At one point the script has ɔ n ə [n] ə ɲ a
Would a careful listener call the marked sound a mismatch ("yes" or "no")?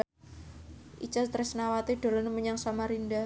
yes